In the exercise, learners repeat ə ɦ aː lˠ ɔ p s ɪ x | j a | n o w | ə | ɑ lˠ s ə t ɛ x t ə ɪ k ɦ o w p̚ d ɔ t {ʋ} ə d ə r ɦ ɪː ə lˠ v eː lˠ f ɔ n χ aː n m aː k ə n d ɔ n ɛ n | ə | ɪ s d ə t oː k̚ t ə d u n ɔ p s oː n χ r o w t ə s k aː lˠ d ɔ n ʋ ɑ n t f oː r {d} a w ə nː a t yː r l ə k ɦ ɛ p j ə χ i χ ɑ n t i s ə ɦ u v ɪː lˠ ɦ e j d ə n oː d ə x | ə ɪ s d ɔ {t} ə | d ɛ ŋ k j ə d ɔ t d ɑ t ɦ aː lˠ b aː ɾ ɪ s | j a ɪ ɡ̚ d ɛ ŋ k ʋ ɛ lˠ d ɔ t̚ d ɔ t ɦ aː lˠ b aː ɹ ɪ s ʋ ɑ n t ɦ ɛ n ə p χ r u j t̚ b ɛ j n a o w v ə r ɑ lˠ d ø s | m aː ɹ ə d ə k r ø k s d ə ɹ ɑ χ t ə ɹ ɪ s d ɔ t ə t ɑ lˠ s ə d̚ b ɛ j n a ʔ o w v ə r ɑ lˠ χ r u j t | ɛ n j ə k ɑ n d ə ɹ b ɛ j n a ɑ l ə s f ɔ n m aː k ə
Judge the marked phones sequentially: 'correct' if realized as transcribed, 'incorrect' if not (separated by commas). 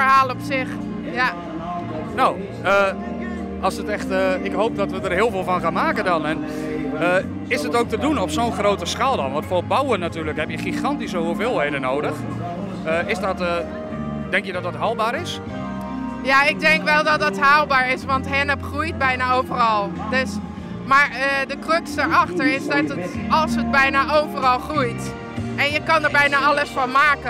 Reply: correct, incorrect, correct